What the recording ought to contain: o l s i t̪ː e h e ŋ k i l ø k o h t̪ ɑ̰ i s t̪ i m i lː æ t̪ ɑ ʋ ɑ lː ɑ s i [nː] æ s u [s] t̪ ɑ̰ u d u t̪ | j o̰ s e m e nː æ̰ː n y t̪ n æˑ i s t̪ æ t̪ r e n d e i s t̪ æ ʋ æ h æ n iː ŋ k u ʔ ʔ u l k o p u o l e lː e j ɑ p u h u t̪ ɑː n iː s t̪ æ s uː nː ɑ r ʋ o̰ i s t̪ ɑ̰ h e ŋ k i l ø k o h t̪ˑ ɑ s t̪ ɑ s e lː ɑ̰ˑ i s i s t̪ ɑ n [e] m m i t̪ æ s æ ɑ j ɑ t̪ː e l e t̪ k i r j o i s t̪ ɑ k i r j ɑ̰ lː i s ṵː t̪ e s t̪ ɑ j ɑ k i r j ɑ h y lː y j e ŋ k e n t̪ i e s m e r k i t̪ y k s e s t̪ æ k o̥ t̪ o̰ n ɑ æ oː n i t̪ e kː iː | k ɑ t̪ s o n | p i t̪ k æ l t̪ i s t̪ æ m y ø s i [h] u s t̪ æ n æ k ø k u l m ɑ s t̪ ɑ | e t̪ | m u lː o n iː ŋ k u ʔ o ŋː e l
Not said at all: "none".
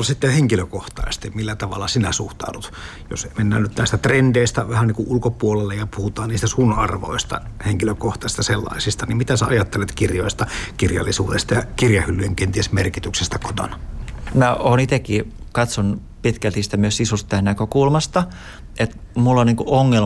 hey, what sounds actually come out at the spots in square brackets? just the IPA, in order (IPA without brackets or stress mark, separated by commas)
n, h, i, s